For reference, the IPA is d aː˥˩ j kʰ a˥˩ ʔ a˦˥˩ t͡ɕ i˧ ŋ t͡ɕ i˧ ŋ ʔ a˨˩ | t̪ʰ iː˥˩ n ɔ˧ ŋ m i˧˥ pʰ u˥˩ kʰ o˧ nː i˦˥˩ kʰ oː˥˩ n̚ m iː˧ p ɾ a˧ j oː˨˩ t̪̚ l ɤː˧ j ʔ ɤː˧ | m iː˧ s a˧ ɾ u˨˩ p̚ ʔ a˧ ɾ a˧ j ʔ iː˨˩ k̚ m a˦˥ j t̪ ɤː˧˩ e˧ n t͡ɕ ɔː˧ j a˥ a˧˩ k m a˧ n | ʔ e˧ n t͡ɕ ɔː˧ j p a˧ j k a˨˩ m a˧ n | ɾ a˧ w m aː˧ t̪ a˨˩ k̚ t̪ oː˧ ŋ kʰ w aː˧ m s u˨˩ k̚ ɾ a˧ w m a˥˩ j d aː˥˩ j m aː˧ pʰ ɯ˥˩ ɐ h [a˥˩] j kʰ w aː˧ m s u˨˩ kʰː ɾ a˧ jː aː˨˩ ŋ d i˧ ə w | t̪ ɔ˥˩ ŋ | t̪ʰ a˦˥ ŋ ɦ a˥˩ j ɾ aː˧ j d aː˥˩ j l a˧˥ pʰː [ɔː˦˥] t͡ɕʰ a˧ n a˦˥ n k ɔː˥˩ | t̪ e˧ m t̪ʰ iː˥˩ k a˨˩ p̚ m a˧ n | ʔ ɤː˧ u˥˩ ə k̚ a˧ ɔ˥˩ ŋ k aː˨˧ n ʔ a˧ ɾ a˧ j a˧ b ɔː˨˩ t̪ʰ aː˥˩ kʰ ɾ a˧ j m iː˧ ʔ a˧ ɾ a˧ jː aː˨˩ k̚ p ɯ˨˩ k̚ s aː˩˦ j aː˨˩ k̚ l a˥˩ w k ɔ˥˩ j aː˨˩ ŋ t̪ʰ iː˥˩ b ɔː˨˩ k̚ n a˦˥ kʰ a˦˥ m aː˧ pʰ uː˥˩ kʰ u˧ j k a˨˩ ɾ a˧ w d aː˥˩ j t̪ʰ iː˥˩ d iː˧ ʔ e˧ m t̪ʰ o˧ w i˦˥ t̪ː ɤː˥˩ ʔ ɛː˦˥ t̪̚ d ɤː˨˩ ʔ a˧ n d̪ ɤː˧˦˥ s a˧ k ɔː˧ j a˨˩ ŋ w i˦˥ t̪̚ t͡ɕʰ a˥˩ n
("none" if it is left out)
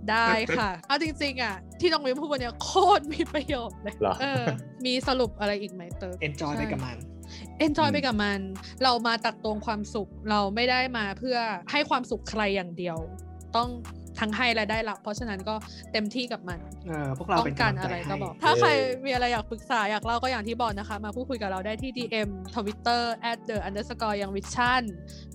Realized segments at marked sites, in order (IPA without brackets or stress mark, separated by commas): a˥˩, ɔ˦˥